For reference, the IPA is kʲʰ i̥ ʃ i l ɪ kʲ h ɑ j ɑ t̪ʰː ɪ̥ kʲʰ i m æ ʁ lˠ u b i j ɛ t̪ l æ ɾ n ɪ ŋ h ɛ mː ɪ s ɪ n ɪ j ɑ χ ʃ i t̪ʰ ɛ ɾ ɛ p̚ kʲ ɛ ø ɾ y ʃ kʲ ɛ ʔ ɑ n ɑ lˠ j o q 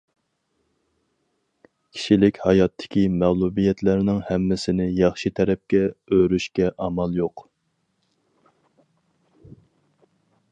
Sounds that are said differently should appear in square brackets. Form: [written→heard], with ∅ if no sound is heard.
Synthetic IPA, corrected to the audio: kʲʰ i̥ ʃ i l ɪ kʲ h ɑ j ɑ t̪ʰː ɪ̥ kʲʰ i m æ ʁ lˠ u b i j ɛ t̪ l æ ɾ n ɪ ŋ h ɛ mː ɪ s ɪ n ɪ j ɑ χ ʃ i t̪ʰ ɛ ɾ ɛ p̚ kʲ ɛ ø ɾ y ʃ kʲ ɛ ʔ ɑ [n→m] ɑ lˠ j o q